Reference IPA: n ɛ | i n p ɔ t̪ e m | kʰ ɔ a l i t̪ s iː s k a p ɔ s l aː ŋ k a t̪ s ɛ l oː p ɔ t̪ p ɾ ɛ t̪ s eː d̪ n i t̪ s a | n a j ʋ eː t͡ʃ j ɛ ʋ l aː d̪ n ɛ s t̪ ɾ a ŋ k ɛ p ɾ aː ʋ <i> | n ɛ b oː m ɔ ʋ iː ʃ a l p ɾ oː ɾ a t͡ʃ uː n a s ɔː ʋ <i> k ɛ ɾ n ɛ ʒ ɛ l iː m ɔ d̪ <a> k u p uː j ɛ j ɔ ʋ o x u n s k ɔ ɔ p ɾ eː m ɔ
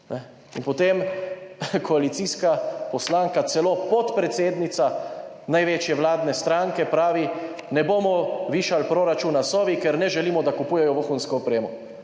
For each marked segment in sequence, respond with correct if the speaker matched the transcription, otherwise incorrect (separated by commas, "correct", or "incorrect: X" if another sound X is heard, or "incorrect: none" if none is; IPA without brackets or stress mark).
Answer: correct, correct, correct